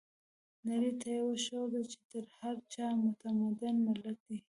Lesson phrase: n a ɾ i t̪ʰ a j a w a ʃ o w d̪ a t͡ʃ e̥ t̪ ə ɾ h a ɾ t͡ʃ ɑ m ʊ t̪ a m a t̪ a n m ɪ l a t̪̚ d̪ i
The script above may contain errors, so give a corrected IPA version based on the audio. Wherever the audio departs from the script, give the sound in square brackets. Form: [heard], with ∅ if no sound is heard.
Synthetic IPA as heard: n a ɾ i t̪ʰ a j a w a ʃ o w d̪ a t͡ʃ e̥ t̪ ə ɾ h a ɾ t͡ʃ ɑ m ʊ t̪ a m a [d̪] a n m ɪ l a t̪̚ d̪ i